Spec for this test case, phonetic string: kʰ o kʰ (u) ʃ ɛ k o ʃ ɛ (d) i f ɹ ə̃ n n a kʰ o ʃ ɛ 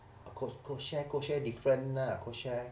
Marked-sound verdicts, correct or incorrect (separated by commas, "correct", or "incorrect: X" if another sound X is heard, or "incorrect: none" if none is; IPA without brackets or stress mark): incorrect: o, correct